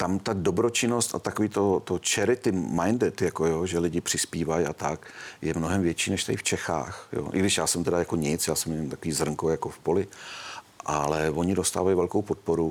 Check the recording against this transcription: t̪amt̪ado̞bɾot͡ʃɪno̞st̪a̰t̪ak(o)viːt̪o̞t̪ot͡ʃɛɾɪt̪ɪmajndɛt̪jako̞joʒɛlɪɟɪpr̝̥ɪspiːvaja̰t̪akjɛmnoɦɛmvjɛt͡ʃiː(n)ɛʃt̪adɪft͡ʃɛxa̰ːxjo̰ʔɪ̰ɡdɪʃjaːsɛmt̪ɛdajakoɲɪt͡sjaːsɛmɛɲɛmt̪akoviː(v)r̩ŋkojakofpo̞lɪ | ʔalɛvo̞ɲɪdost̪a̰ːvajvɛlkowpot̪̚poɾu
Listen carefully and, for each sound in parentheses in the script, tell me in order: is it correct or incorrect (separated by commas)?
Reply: correct, correct, incorrect